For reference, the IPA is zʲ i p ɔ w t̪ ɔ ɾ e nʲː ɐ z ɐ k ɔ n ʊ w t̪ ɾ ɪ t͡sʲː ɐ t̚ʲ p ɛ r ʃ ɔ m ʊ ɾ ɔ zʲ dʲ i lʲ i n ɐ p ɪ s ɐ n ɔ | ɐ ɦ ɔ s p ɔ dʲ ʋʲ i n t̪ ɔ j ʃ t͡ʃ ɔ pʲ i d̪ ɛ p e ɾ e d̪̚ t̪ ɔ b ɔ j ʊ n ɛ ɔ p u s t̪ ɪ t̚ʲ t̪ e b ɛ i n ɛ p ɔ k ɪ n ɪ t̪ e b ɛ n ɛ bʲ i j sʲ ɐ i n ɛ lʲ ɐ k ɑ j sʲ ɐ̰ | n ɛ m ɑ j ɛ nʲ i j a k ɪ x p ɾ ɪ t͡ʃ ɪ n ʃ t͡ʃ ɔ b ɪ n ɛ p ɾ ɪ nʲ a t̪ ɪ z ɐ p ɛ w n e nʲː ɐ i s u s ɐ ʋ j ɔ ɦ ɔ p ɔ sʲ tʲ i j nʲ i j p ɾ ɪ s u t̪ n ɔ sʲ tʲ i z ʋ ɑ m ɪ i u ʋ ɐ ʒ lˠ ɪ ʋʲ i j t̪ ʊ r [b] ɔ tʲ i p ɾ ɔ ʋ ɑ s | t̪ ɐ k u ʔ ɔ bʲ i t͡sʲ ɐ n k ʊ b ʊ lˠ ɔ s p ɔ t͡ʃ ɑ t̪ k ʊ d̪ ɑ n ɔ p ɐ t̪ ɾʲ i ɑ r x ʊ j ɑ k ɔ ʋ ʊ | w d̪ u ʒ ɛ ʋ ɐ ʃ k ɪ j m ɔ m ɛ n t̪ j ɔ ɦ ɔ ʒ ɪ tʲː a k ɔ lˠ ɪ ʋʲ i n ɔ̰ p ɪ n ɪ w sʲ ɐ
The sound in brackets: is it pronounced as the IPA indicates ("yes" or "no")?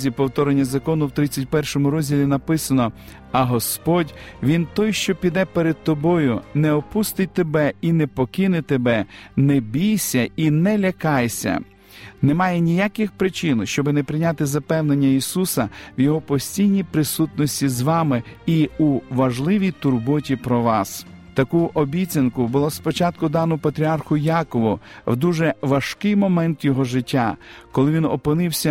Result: yes